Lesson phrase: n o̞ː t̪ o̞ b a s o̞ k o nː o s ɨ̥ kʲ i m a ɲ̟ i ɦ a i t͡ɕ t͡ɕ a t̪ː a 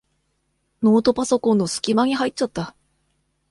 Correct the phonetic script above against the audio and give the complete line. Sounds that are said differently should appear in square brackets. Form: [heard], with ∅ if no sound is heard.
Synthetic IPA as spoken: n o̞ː t̪ o̞ [p] a s o̞ k [õ] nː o s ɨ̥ kʲ i m a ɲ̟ i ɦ a i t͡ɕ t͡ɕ a t̪ː a